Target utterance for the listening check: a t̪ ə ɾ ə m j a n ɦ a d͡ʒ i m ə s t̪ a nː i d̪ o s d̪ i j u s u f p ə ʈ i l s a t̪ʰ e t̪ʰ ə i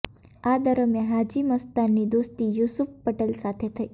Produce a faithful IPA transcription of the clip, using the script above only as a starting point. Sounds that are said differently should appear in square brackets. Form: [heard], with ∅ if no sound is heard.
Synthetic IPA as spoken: a [d̪] ə ɾ ə m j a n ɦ a d͡ʒ i m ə s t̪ a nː i d̪ o s [t̪] i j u s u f p ə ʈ [e] l s a t̪ʰ e t̪ʰ ə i